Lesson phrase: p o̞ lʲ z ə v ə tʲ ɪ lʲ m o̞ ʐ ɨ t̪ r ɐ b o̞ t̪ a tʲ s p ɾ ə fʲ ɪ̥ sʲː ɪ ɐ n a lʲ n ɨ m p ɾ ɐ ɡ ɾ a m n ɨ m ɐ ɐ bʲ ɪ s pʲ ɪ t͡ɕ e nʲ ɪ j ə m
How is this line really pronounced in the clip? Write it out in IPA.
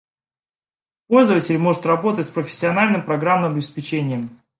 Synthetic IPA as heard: p o̞ lʲ z ə v ə tʲ ɪ lʲ m o̞ ʐ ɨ t̪ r ɐ b o̞ t̪ ə tʲ s p ɾ ə fʲ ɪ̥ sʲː ɪ ɐ n a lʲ n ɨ m p ɾ ɐ ɡ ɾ a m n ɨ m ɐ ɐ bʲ ɪ s pʲ ɪ t͡ɕ e nʲ ɪ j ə m